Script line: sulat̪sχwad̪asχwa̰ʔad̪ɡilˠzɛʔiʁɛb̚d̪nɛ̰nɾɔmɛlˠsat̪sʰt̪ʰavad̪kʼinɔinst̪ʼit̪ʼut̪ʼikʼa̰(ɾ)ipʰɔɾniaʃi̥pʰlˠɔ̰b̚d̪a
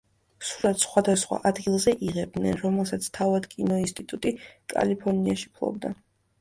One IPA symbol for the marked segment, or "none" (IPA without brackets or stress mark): l